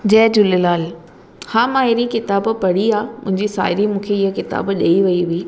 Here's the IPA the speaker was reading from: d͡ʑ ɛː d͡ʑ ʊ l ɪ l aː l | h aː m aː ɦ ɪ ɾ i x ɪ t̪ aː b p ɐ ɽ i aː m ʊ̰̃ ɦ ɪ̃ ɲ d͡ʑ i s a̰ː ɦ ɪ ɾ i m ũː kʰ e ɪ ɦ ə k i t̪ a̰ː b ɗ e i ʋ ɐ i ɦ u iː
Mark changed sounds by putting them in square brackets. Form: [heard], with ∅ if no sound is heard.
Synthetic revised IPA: d͡ʑ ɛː d͡ʑ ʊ l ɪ l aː l | h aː m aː ɦ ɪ ɾ i [k] ɪ t̪ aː b p ɐ ɽ i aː m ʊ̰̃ ɦ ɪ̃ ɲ d͡ʑ i s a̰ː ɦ ɪ ɾ i m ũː kʰ e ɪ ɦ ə k [ɪ] t̪ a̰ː b ɗ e i ʋ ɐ i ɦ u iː